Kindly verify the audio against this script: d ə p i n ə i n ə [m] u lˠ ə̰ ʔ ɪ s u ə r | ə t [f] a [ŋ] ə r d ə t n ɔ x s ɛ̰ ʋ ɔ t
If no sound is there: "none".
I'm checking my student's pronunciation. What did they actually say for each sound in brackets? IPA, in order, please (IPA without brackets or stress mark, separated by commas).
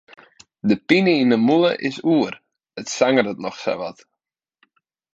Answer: m, s, ŋ